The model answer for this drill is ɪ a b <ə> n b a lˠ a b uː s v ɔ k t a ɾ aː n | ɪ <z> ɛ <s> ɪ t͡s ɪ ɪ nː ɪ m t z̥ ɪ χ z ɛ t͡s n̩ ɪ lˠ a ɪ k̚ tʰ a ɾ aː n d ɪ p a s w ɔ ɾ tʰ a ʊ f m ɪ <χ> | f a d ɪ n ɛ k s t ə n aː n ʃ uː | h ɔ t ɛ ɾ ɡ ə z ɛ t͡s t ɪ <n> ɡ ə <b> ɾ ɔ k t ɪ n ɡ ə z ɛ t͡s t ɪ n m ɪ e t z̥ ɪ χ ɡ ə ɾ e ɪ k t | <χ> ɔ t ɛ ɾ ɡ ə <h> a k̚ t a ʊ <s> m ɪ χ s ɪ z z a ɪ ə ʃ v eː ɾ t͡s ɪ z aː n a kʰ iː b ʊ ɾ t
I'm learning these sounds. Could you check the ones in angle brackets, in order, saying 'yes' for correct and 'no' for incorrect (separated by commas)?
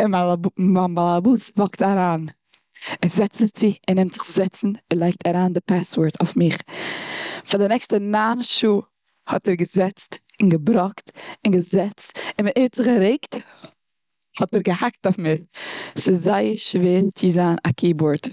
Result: no, yes, no, yes, yes, yes, no, yes, no